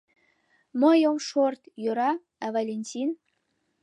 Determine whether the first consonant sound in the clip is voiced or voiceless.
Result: voiced